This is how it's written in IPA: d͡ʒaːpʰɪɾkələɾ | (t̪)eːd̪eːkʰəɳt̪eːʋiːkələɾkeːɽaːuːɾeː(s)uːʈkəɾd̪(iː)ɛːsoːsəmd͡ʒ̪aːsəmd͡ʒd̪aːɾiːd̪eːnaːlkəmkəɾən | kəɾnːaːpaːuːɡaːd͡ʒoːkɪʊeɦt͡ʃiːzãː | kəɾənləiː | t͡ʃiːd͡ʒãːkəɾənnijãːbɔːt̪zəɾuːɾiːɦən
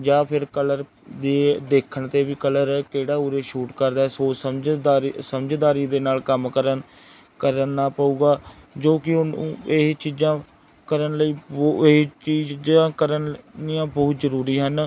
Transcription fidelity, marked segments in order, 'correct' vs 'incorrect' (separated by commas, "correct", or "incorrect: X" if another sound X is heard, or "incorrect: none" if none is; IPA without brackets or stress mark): incorrect: d̪, incorrect: ʃ, incorrect: aː